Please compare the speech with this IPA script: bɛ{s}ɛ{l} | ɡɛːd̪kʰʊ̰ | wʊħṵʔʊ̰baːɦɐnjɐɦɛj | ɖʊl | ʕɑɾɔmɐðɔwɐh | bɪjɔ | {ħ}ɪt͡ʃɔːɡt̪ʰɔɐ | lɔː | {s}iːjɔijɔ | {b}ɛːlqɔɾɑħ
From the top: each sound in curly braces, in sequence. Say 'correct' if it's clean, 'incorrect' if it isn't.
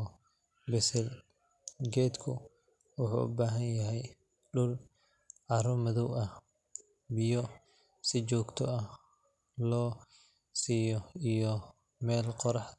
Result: correct, correct, incorrect: s, correct, incorrect: m

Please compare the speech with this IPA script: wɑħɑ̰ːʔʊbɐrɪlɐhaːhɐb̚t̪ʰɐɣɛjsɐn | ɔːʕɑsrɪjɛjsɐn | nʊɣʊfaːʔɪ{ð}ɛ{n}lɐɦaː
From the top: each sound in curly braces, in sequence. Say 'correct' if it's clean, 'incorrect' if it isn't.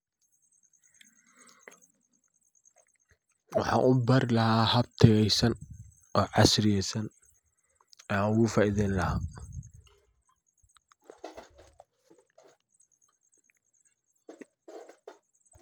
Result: correct, correct

